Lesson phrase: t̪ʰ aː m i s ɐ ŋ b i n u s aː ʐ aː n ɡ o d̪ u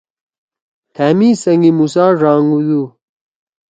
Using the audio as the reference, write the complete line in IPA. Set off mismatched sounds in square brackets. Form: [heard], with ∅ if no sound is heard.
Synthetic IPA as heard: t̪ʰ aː m i s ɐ ŋ [ɡ] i [m] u s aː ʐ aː [ŋ] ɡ [u] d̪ u